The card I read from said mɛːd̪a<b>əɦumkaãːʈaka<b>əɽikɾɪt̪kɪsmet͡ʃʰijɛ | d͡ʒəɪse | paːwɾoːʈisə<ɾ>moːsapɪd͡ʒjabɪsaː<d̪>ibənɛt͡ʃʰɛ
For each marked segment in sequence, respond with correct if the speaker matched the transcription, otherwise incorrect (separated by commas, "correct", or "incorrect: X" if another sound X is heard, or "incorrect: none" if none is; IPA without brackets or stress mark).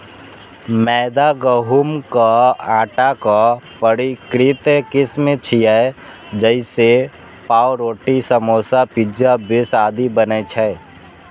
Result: incorrect: ɡ, incorrect: p, incorrect: none, correct